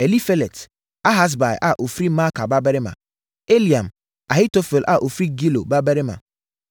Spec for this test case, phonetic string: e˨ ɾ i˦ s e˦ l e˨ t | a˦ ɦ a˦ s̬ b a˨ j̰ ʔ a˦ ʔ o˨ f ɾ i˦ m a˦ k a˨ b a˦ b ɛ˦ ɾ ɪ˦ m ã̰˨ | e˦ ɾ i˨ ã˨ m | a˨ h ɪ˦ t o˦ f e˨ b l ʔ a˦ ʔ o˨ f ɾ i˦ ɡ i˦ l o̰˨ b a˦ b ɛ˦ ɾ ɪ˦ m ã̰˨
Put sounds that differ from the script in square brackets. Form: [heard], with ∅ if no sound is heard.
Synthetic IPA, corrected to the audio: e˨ [l] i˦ [f] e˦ l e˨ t | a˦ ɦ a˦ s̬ b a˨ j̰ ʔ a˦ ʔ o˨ f ɾ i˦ m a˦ k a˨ b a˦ b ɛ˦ ɾ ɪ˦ m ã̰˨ | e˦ [l] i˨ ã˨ m | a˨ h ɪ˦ t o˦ f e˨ [∅] l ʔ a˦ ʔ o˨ f ɾ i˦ ɡ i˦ l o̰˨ b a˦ b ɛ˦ ɾ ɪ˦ m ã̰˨